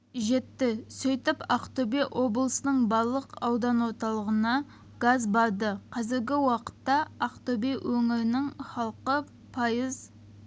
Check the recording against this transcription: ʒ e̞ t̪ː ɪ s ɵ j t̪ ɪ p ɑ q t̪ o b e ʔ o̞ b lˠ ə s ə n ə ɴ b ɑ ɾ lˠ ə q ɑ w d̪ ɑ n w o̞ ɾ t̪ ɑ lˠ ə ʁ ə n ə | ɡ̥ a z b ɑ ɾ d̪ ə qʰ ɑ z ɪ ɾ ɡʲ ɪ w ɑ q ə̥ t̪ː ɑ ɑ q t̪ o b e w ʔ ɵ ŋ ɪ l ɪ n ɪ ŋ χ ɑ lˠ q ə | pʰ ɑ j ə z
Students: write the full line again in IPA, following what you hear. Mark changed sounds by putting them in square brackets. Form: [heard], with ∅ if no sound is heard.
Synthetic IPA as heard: ʒ e̞ t̪ː ɪ s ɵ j t̪ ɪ p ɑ q t̪ o b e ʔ o̞ b lˠ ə s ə n ə ɴ b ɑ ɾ lˠ ə q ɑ w d̪ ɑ n w o̞ ɾ t̪ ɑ lˠ ə ʁ ə n [ɑ] | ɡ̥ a z b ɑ ɾ d̪ ə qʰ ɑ z ɪ ɾ ɡʲ ɪ w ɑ q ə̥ t̪ː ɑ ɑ q t̪ o b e w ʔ ɵ ŋ ɪ [ɾ] ɪ n ɪ ŋ χ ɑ lˠ q ə | pʰ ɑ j ə z